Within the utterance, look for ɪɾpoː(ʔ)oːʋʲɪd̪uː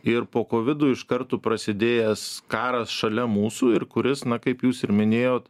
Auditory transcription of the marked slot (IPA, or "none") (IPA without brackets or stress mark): k